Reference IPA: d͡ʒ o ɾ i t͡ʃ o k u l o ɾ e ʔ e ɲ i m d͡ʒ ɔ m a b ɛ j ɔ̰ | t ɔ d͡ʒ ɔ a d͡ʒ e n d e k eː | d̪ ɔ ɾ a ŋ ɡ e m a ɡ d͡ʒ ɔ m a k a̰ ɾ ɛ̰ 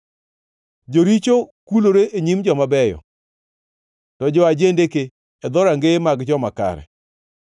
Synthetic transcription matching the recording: d͡ʒ o ɾ i t͡ʃ o k u l o ɾ e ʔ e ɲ i m d͡ʒ ɔ m a b ɛ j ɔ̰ | t ɔ d͡ʒ ɔ a d͡ʒ e n d e k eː | d̪ ɔ ɾ a ŋ ɡ e m a ɡ d͡ʒ ɔ m a k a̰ ɾ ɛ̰